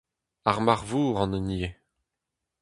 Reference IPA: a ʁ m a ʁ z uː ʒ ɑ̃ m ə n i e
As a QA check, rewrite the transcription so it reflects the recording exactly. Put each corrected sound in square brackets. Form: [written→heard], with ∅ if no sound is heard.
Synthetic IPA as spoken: a ʁ m a ʁ [z→v] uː [ʒ→ʁ] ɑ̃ [m→n] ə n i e